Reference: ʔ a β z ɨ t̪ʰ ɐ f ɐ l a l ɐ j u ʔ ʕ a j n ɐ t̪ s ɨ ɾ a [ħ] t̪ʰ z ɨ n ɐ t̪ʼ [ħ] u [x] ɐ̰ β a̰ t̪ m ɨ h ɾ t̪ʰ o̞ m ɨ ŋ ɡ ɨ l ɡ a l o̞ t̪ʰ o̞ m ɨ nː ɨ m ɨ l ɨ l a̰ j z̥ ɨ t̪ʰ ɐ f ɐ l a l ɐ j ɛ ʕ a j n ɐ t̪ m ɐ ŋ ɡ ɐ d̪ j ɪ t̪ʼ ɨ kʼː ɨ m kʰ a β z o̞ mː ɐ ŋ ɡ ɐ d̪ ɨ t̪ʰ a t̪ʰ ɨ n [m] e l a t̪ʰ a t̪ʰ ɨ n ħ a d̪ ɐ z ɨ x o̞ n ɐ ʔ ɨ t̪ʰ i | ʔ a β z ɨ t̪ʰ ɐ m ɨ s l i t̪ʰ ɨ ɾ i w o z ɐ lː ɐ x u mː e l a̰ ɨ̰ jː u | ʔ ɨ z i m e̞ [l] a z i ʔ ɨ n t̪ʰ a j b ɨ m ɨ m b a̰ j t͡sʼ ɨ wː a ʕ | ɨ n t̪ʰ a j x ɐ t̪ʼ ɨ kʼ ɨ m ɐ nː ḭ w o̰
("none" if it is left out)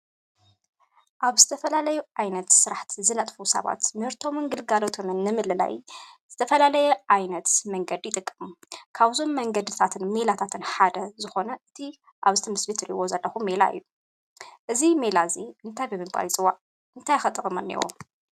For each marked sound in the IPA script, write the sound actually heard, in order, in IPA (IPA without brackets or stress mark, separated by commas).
ħ, f, s, m, l